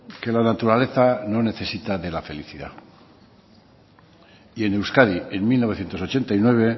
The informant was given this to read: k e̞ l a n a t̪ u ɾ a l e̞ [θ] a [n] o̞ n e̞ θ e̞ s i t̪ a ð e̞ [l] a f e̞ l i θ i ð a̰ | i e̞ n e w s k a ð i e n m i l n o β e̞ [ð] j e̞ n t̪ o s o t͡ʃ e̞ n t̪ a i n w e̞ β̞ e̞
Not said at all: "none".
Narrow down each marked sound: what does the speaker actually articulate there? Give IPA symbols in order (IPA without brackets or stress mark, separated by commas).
θ, n, l, θ